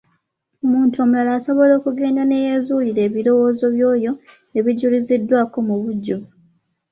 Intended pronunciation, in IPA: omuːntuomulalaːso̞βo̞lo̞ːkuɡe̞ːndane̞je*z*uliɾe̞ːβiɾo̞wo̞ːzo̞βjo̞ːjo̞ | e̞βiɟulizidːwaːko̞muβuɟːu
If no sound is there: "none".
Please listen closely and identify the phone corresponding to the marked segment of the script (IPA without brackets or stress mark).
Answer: z